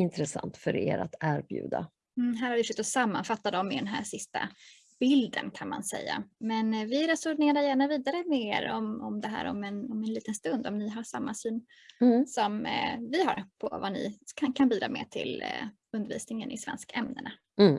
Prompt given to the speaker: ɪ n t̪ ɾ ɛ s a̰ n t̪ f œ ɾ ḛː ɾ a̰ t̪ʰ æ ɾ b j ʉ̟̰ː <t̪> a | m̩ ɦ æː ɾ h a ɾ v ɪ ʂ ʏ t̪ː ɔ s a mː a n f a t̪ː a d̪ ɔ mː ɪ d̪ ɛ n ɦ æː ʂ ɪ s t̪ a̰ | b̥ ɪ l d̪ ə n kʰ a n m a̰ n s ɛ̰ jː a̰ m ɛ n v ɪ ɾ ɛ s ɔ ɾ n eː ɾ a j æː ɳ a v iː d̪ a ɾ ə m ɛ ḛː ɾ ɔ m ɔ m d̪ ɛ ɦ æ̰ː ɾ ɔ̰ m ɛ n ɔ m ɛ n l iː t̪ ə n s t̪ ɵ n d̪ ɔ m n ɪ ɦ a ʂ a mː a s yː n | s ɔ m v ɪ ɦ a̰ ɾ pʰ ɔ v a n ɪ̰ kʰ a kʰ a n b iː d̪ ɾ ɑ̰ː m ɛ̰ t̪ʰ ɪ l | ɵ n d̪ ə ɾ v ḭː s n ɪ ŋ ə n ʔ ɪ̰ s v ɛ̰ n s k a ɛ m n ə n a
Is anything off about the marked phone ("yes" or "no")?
yes